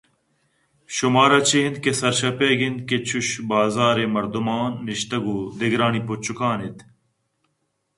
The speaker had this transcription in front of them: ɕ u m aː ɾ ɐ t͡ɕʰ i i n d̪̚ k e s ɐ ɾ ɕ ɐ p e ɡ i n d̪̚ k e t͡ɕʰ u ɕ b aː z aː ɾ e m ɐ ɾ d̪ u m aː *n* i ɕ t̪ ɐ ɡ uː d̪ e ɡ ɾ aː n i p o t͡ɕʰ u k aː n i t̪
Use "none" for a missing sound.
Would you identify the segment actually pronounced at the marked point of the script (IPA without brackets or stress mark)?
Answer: nː